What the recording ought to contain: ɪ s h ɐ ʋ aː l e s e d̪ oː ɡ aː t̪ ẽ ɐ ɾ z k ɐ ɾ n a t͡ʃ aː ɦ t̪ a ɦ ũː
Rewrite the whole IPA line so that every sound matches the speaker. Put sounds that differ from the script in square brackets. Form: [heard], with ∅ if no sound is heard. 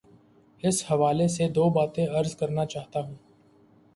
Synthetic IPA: ɪ s h ɐ ʋ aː l e s e d̪ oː [b] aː t̪ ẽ ɐ ɾ z k ɐ ɾ n a t͡ʃ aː ɦ t̪ a ɦ ũː

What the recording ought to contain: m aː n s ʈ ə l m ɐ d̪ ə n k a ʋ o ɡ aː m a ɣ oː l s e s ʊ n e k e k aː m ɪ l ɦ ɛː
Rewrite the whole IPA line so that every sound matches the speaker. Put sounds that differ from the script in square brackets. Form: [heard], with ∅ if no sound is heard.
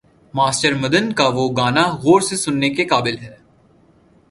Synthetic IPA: m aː [∅] s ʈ ə [ɾ] m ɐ d̪ ə n k a ʋ o ɡ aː [n] a ɣ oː [ɾ] s e s ʊ [nː] e k e k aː [b] ɪ l ɦ ɛː

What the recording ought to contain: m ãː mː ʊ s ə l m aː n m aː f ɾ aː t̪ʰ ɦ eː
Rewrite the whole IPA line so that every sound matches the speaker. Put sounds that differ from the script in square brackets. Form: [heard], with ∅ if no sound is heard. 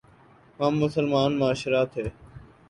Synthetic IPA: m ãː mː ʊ s ə l m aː n m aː [ʃ] ɾ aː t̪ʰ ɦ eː

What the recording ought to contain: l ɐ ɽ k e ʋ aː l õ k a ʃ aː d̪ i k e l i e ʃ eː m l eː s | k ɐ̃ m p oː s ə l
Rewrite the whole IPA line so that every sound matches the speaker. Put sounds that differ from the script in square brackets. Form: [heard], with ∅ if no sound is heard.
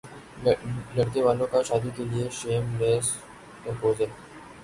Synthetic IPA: l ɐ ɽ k e ʋ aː l õ k a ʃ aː d̪ i k e l i e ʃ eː m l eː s | k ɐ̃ m p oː [z] ə l

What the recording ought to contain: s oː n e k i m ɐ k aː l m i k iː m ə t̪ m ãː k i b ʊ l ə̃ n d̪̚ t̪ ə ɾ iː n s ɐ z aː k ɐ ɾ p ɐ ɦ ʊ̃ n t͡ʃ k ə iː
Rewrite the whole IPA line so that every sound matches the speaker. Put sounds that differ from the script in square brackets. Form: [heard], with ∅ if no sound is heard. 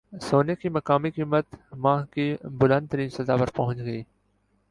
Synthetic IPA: s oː n e k i m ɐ k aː [∅] m i k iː m ə t̪ m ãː k i b ʊ l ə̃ n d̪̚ t̪ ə ɾ iː n s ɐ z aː [p] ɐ ɾ p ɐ ɦ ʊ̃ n t͡ʃ [ɡ] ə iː

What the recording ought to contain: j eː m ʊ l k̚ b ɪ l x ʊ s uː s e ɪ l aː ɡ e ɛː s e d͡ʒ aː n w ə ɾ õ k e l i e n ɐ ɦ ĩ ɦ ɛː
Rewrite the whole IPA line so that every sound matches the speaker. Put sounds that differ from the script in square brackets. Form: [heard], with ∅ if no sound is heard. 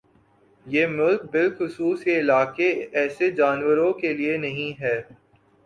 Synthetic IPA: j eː m ʊ l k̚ b ɪ l x ʊ s uː s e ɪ l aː [k] e ɛː s e d͡ʒ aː n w ə ɾ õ k e l i e n ɐ ɦ ĩ ɦ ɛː

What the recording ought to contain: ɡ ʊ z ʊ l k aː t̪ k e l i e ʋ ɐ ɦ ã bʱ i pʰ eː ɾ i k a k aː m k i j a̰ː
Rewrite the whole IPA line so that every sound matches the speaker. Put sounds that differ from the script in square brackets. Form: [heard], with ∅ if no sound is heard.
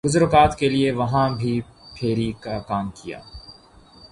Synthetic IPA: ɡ ʊ z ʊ [ɾ] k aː t̪ k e l i e ʋ ɐ ɦ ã bʱ i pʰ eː ɾ i k a k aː m k i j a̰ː

